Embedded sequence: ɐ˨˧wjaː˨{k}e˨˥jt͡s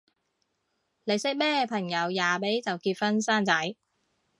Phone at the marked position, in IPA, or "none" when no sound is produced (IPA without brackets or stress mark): p